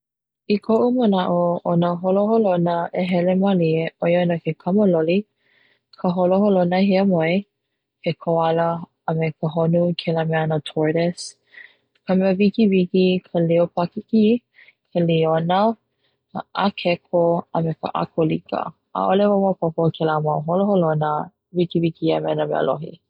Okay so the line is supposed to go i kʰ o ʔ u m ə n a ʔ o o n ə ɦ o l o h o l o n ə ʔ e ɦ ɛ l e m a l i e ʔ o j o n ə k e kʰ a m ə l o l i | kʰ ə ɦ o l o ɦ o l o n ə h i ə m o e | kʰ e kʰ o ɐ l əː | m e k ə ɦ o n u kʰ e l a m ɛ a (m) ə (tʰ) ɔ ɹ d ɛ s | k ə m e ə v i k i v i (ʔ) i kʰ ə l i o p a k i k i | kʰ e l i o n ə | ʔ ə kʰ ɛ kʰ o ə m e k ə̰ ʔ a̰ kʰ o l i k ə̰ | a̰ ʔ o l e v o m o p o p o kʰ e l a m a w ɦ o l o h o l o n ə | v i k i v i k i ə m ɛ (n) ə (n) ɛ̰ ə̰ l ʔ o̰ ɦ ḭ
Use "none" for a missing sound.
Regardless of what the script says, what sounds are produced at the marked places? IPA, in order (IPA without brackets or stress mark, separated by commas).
n, tʰ, k, n, m